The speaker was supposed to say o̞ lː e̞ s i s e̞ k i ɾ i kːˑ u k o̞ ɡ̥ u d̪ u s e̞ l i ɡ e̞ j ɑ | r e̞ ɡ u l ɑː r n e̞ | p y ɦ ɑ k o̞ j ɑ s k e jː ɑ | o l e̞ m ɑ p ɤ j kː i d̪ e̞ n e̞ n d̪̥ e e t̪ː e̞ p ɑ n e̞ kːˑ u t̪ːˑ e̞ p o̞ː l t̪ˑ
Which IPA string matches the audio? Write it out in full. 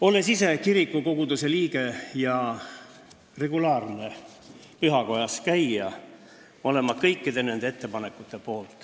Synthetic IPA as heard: o̞ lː e̞ s i s e̞ k i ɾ i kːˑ u k o̞ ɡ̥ u d̪ u s e̞ l iː ɡ e̞ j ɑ | r e̞ ɡ u l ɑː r n e̞ | p y ɦ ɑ k o̞ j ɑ s k æ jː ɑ | o l e̞ m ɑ k ɤ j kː i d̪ e̞ n e̞ n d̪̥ e e t̪ː e̞ p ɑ n e̞ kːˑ u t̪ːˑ e̞ p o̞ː l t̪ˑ